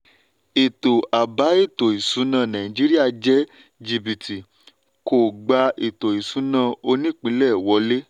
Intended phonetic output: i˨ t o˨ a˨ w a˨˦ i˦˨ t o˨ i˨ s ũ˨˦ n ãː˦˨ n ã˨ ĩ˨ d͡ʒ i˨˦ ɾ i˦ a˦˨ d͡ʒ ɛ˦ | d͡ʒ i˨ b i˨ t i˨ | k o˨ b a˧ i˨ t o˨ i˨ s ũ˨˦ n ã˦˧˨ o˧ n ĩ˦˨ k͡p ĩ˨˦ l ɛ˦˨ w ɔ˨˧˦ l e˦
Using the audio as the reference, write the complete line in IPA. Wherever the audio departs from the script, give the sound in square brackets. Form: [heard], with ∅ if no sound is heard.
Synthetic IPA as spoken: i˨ t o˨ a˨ [b] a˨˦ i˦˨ t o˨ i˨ s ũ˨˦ n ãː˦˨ n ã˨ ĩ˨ d͡ʒ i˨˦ ɾ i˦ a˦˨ d͡ʒ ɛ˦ | d͡ʒ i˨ b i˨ t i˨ | k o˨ [ɡ͡b] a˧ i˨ t o˨ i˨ s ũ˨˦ n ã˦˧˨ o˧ n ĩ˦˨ k͡p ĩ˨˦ l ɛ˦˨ w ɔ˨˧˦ l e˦